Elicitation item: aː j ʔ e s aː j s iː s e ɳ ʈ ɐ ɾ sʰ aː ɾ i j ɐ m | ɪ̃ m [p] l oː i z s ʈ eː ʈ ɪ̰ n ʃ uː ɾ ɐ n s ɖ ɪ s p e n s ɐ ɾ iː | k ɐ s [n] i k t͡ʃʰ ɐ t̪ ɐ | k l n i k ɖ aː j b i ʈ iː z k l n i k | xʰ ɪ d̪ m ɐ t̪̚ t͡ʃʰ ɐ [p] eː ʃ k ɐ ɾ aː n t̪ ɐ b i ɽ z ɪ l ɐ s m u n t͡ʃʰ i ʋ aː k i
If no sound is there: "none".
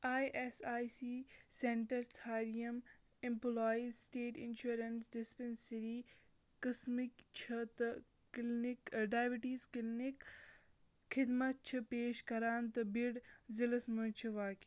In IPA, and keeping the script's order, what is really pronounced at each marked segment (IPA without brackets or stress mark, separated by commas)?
p, m, p